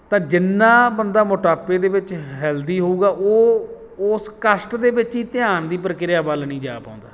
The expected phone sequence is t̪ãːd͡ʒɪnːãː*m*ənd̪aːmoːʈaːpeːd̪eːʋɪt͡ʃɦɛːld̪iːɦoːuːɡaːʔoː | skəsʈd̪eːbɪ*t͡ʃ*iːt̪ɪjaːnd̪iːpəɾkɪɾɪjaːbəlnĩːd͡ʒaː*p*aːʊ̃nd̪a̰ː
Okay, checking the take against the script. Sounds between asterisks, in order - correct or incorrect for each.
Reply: incorrect: b, correct, correct

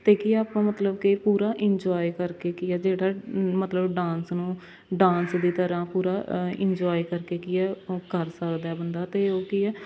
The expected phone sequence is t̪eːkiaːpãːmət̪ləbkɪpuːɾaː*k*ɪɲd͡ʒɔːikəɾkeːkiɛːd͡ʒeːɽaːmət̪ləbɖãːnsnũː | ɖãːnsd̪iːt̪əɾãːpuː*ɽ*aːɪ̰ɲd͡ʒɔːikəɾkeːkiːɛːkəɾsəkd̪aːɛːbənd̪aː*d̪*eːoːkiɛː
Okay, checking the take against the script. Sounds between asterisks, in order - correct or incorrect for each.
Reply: incorrect: ʔ, incorrect: ɾ, incorrect: t̪

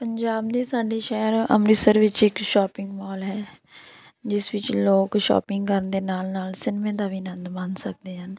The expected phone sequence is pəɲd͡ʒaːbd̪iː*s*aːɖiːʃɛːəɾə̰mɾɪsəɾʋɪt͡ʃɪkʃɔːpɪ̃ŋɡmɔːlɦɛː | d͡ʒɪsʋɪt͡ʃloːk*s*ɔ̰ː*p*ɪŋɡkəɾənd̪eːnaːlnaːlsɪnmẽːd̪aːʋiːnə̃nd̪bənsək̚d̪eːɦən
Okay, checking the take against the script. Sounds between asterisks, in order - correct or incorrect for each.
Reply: correct, incorrect: ʃ, correct

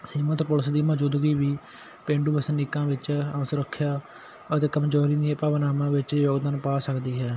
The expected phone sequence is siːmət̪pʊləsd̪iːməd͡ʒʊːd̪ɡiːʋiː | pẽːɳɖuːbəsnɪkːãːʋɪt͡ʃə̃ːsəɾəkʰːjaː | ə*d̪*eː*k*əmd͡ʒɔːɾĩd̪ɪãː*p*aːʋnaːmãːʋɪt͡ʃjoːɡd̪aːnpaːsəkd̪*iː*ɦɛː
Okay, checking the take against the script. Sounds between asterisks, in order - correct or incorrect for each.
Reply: incorrect: t̪, correct, correct, correct

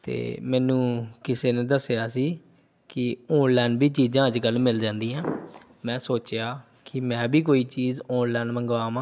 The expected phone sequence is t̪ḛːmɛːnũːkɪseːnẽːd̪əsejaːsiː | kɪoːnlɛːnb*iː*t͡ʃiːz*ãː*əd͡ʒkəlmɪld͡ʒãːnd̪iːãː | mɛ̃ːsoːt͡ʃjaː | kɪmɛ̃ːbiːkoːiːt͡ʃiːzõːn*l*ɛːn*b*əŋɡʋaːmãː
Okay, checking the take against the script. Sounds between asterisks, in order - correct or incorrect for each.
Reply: correct, correct, correct, incorrect: m

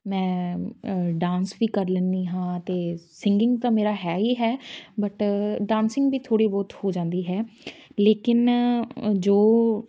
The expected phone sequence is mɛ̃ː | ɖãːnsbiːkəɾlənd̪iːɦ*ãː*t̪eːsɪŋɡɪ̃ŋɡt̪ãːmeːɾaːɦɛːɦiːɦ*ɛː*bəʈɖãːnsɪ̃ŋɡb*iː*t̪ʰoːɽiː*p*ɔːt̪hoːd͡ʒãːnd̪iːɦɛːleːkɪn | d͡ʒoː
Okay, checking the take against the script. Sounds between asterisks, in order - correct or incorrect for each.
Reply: correct, correct, correct, incorrect: b

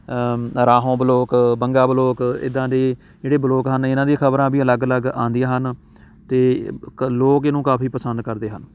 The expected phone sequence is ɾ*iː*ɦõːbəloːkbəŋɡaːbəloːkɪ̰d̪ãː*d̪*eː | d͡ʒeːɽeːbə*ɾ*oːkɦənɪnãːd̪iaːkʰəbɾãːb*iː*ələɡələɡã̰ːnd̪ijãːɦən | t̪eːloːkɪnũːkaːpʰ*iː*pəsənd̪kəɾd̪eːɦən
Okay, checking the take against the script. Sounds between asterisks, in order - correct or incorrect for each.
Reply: incorrect: aː, correct, incorrect: l, correct, correct

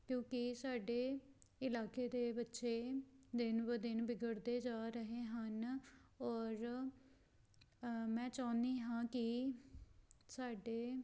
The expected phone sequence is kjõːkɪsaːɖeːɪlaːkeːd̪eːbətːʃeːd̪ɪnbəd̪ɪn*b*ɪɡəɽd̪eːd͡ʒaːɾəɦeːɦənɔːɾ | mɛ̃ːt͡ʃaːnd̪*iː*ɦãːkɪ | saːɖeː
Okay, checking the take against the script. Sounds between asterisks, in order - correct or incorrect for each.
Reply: correct, correct

